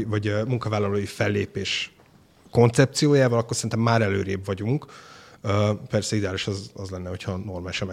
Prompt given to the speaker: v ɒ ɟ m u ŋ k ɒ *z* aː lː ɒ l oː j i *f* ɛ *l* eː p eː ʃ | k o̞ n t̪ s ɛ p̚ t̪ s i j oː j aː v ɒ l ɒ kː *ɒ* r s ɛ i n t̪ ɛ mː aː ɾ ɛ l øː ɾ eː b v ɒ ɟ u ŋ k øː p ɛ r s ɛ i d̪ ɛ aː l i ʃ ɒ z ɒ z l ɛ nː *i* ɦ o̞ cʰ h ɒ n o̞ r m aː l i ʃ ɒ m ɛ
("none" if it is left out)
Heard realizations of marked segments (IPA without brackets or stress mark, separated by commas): v, f, lː, o, ɛ